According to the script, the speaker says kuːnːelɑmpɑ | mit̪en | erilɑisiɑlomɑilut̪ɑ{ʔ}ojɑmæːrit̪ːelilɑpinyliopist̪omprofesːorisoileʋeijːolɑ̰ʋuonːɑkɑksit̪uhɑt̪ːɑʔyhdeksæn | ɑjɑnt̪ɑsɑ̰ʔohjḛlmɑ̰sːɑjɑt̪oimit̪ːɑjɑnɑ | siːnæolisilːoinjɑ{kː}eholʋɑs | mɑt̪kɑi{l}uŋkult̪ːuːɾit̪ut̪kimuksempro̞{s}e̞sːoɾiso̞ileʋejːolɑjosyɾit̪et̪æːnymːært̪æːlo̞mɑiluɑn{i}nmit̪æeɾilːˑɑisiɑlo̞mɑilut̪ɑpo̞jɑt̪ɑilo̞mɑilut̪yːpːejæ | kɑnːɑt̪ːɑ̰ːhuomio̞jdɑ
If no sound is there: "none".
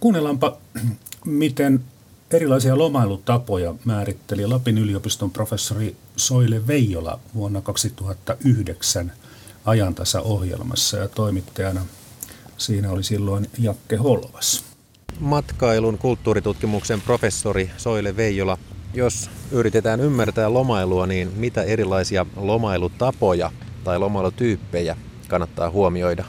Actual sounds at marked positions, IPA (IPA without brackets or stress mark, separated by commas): p, kː, l, f, iː